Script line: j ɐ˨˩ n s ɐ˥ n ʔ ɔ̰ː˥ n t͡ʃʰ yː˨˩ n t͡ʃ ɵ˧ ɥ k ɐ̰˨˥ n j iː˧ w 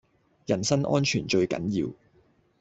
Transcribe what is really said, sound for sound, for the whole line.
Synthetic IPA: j ɐ˨˩ n s ɐ˥ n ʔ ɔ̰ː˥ n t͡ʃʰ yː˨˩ n t͡ʃ ɵ˧ ɥ k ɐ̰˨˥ n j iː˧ w